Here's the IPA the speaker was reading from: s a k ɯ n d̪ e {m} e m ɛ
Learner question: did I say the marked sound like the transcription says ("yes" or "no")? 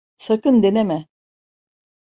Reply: no